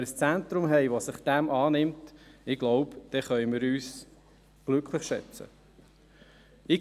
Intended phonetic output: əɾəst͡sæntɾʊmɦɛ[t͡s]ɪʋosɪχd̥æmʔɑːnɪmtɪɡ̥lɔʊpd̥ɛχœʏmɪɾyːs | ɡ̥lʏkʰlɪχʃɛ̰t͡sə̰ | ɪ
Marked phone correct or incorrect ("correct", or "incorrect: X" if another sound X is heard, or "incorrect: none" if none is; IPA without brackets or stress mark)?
incorrect: none